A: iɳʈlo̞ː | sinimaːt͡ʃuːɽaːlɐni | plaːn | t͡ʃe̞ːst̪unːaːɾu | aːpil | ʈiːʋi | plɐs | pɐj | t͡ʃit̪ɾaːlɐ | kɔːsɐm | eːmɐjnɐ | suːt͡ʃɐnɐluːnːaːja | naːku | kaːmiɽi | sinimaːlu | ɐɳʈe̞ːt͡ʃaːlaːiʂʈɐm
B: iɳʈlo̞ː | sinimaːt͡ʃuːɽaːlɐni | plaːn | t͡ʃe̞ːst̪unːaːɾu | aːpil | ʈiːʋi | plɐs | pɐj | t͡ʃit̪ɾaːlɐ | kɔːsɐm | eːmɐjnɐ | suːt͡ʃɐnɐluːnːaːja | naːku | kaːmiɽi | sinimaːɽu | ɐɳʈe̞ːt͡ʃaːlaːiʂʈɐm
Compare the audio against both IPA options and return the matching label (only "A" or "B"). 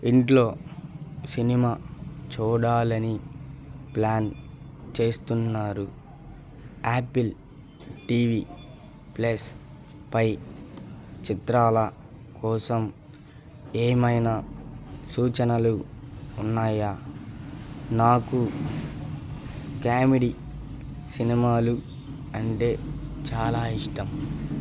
A